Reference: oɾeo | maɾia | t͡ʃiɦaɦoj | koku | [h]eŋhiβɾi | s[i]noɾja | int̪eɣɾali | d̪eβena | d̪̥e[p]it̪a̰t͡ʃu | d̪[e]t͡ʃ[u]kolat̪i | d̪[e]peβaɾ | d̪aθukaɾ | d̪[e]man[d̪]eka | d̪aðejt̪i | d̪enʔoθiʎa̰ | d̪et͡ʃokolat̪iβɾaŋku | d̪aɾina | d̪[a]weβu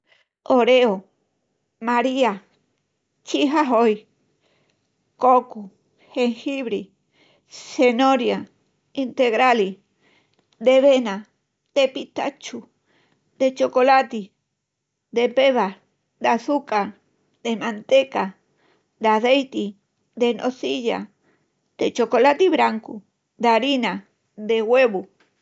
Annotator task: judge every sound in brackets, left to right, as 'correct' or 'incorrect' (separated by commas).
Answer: correct, incorrect, correct, correct, incorrect, correct, correct, incorrect, incorrect